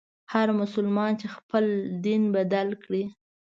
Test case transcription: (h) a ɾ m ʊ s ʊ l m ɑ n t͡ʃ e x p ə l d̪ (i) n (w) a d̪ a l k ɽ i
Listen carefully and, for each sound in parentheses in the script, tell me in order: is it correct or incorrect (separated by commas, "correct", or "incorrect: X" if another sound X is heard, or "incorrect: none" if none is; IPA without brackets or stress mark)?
correct, correct, incorrect: b